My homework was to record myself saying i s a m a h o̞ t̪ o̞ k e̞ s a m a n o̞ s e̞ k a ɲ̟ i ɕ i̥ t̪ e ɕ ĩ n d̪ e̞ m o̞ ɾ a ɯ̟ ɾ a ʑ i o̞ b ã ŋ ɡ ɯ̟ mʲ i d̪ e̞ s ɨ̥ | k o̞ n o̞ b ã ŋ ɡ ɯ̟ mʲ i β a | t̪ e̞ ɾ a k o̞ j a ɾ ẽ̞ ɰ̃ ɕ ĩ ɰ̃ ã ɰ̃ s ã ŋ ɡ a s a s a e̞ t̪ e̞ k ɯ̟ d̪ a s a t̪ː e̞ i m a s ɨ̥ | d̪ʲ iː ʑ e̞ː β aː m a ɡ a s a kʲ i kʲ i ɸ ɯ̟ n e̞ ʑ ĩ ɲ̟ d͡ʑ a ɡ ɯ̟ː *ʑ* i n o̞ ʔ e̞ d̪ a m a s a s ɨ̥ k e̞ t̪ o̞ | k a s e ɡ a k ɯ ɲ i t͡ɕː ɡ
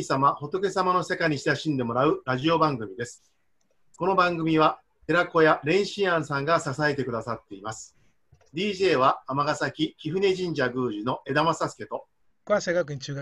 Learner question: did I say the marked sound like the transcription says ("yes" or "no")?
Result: yes